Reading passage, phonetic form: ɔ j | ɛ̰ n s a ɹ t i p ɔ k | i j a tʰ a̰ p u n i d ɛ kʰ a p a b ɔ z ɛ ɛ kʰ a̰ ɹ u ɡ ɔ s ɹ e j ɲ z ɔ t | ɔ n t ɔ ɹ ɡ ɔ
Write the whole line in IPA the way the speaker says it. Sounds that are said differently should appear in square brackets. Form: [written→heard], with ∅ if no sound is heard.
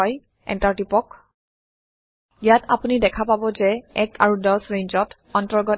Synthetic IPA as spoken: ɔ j | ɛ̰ n [s→t] a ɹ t i p ɔ k | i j a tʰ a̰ p u n i d ɛ kʰ a p a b ɔ z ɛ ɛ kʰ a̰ ɹ u [ɡ→d] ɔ s ɹ e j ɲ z ɔ t | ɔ n t ɔ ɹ ɡ ɔ